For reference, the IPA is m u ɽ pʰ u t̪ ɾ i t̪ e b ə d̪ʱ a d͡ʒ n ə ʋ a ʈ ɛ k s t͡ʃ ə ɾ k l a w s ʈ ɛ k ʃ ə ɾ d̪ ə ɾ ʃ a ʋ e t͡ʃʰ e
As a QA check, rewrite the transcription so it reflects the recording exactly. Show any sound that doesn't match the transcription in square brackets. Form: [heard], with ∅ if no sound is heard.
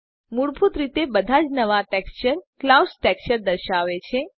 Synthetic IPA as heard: m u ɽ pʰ u t̪ ɾ i t̪ e b ə d̪ʱ a d͡ʒ n ə ʋ a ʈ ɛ k s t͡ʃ ə ɾ k l a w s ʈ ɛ k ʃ ə ɾ d̪ ə ɾ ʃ a ʋ e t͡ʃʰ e